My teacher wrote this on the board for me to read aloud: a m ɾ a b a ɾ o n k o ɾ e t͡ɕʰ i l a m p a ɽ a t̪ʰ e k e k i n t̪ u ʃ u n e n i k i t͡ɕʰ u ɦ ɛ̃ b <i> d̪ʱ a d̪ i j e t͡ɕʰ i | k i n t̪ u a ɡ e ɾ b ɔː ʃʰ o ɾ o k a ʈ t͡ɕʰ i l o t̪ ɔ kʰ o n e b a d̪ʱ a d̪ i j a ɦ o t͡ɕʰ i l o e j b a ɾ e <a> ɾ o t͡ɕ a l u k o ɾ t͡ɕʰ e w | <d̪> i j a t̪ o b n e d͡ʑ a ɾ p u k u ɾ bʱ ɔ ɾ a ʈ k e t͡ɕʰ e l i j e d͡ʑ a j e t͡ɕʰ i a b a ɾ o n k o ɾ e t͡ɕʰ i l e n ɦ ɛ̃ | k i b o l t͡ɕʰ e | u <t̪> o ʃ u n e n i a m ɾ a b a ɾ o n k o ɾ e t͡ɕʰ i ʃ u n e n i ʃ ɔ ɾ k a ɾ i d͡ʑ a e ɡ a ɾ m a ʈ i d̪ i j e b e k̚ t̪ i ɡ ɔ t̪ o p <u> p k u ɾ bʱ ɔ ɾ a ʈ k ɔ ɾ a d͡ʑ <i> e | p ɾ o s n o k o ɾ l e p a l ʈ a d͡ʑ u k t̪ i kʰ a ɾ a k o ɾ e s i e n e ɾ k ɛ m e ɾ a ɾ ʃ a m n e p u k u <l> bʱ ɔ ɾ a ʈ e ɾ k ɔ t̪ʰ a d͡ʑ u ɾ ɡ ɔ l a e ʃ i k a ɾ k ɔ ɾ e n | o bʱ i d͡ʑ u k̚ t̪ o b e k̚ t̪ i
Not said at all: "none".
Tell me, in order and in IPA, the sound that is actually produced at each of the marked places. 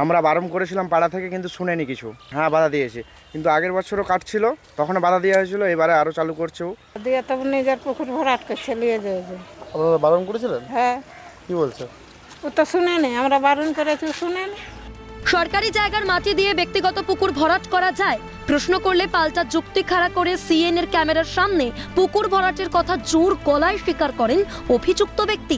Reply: a, a, d̪, t̪, u, a, ɾ

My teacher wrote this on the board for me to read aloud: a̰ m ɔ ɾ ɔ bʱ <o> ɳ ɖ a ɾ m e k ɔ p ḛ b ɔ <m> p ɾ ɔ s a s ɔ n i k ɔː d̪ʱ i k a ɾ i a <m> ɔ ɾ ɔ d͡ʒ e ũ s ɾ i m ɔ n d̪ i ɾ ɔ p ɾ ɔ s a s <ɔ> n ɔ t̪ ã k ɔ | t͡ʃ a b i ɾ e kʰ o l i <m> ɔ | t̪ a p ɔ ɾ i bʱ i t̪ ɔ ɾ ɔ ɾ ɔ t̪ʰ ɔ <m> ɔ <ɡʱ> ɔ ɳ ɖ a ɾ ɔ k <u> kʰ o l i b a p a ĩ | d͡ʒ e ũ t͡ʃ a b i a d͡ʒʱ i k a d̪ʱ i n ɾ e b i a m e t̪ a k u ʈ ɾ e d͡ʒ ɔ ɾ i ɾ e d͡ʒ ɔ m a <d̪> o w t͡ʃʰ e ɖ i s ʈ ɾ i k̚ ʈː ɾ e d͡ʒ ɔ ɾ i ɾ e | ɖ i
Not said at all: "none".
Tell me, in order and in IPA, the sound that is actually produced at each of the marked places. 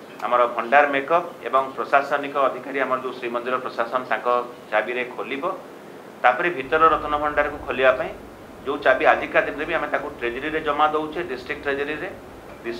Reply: ɔ, ŋ, m, ɔ, b, n, bʱ, u, d̪

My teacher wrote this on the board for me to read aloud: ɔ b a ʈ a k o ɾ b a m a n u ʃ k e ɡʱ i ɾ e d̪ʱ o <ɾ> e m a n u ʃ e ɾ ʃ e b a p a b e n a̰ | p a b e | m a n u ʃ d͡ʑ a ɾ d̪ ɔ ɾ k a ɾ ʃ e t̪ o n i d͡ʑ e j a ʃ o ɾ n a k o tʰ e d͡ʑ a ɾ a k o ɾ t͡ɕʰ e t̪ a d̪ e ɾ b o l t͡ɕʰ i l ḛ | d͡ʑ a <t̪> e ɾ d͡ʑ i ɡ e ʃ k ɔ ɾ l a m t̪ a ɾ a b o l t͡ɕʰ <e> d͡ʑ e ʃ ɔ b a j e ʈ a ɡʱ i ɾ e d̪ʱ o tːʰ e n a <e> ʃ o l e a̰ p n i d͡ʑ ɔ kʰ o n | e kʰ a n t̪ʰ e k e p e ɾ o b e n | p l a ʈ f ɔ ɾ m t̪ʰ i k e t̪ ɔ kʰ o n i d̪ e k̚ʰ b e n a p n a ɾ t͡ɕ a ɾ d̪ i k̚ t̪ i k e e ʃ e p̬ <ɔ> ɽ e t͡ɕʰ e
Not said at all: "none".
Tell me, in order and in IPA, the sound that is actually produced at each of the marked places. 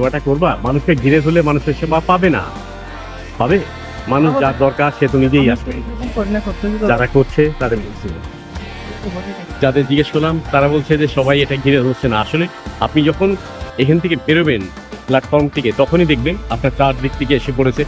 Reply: l, d̪, e, a, o

